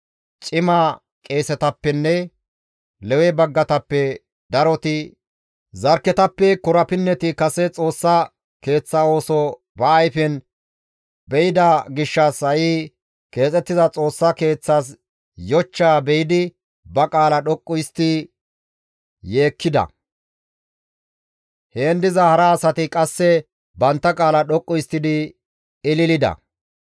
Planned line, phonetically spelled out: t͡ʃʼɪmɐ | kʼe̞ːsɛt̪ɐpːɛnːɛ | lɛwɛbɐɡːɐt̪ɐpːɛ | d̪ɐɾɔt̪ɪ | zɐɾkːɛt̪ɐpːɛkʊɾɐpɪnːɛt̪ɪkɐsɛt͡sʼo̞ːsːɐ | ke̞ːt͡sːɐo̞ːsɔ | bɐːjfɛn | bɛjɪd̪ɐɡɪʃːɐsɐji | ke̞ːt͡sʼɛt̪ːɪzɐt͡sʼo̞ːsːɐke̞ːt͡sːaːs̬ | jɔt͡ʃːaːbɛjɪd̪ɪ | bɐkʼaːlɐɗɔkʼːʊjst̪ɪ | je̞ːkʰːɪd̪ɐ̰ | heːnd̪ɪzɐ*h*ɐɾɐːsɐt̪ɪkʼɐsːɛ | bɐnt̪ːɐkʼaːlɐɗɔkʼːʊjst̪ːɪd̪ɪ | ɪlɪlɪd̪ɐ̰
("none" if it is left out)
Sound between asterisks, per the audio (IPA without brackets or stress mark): h